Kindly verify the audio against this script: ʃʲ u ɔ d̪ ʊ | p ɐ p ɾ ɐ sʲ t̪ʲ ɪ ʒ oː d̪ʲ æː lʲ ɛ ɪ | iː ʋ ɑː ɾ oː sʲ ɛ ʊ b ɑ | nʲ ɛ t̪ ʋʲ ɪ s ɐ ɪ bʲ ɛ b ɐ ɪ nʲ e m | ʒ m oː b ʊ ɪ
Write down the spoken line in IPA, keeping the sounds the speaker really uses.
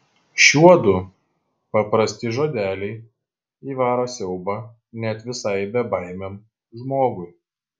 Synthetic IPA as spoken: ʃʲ u ɔ d̪ ʊ | p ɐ p ɾ ɐ sʲ t̪ʲ ɪ ʒ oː d̪ʲ æː lʲ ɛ ɪ | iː ʋ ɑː ɾ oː sʲ ɛ ʊ b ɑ | nʲ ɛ t̪ ʋʲ ɪ s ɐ ɪ bʲ ɛ b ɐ ɪ mʲ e m | ʒ m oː ɡ ʊ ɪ